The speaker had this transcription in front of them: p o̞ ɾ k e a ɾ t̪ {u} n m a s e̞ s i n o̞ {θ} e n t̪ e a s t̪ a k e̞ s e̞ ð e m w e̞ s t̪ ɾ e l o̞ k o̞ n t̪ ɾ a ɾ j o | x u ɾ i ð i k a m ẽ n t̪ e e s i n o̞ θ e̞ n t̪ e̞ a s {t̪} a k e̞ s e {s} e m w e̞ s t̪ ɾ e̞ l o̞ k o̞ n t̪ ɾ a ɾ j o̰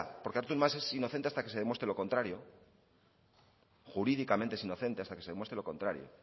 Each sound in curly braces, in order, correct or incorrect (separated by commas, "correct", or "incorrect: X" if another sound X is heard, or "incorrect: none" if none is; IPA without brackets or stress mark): correct, correct, correct, incorrect: none